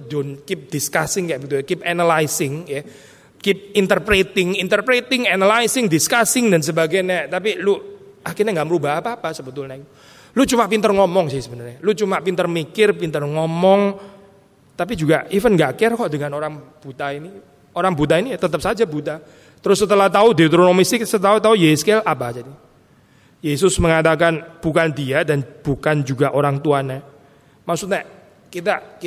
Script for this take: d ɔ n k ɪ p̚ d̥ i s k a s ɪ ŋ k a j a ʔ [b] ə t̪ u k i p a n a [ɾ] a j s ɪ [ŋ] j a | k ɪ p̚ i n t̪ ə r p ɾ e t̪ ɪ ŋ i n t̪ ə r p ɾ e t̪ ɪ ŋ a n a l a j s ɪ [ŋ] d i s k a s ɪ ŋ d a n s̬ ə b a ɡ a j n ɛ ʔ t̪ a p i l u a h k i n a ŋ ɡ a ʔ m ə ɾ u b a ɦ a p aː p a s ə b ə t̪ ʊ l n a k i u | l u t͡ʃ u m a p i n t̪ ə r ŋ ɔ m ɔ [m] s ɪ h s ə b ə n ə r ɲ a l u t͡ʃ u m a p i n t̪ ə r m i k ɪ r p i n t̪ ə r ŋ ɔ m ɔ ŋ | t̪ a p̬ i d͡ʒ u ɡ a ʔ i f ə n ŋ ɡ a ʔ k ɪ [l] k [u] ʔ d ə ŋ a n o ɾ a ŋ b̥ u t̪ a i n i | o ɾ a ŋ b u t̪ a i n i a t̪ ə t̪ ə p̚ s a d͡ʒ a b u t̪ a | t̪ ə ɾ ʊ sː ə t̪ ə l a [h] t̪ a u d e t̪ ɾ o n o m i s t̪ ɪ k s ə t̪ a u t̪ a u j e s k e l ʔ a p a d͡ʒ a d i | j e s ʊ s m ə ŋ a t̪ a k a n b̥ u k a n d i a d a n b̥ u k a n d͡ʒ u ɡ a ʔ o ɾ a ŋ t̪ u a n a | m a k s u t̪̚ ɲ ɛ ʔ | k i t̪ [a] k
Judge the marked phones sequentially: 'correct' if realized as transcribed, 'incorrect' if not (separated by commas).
correct, incorrect, correct, correct, incorrect, incorrect, incorrect, correct, correct